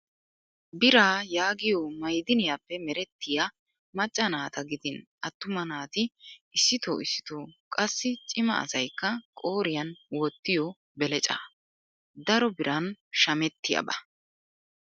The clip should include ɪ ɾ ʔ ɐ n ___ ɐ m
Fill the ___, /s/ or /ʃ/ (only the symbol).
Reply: ʃ